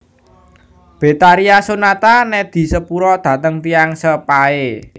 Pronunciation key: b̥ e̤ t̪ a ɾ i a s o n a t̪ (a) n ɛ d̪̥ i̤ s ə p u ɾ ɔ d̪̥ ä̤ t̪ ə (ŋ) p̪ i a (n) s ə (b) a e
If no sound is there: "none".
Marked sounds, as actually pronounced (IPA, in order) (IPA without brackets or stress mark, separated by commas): a, ŋ, ŋ, p